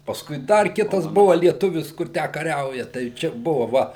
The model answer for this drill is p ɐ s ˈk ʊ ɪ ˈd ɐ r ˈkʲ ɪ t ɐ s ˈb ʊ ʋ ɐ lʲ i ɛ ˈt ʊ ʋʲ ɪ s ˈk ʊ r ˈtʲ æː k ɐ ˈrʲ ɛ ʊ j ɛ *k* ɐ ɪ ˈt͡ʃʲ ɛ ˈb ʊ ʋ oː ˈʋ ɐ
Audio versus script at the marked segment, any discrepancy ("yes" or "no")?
yes